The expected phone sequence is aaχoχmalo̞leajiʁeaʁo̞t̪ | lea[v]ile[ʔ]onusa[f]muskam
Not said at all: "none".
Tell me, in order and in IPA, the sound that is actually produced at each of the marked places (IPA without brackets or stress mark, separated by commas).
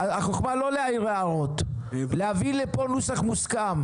v, p, χ